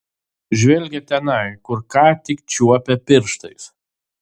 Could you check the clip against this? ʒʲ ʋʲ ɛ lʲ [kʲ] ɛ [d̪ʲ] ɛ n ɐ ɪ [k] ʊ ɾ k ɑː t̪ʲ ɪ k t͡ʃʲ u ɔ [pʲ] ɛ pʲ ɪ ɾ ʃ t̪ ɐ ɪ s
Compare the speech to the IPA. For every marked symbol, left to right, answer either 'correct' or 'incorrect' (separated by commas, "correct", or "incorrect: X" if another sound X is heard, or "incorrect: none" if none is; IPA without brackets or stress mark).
incorrect: ɡʲ, incorrect: t̪ʲ, correct, correct